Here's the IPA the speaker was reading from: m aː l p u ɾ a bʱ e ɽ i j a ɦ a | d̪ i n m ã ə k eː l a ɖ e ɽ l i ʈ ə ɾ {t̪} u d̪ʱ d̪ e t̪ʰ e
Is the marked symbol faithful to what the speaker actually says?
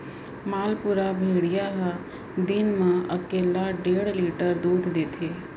no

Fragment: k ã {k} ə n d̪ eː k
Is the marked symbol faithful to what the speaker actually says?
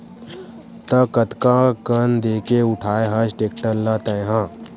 yes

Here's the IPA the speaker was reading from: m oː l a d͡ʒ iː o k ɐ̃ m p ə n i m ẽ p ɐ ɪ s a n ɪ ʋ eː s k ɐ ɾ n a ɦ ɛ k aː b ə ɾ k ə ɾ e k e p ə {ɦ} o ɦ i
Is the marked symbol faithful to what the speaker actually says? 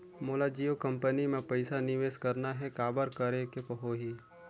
yes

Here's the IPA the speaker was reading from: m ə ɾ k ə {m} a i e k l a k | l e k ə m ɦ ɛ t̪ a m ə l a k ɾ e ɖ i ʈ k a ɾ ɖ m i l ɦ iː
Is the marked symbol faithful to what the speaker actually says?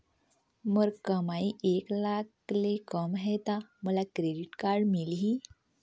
yes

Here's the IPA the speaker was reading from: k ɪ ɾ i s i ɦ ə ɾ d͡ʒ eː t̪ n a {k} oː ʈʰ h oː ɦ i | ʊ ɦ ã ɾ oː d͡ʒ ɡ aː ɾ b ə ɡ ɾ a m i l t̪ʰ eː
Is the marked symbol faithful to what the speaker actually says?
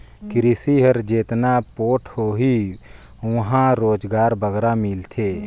no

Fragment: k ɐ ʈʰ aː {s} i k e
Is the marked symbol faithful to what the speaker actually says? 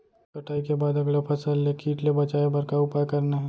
no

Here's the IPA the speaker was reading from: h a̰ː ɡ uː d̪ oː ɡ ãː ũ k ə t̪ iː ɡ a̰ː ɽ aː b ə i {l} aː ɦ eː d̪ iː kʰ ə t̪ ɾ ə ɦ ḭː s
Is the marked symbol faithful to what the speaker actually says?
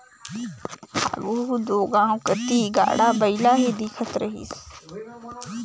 yes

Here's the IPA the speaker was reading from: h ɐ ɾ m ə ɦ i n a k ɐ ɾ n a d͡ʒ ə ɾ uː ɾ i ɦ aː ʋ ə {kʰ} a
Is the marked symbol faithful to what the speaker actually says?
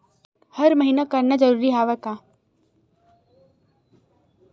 no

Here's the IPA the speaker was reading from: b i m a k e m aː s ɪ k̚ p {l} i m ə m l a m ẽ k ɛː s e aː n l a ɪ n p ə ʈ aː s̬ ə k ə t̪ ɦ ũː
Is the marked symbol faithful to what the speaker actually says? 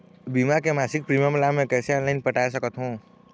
no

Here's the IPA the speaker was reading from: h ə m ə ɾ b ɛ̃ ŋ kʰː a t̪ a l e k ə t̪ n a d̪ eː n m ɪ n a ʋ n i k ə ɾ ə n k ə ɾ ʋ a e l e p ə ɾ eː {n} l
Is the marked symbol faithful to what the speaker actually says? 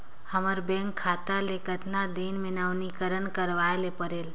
no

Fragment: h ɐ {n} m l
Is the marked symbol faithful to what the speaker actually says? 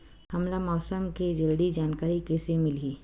no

